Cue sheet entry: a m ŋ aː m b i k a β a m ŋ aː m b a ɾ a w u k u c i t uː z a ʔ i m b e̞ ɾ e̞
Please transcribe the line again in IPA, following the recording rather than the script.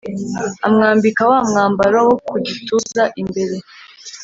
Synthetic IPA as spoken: a m ŋ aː m b i k a w a m ŋ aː m b a ɾ a w o k u ɟ i t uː z a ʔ i m b e̞ ɾ e̞